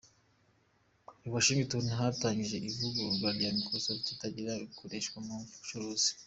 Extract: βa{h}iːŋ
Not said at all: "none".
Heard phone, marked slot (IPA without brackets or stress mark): ʃ